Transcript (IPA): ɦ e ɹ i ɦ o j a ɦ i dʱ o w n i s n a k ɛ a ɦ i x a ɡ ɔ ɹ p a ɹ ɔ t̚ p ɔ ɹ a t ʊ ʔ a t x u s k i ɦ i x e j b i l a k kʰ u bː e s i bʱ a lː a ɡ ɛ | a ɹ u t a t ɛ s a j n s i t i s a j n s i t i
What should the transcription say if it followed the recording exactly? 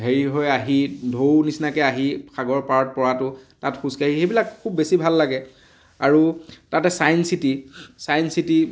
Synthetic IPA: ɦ e ɹ i ɦ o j a ɦ i dʱ o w n i s n a k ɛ a ɦ i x a ɡ ɔ ɹ p a ɹ ɔ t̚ p ɔ ɹ a t ʊ t a t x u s k a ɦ i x e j b i l a k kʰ u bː e s i bʱ a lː a ɡ ɛ | a ɹ u t a t ɛ s a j n s i t i s a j n s i t i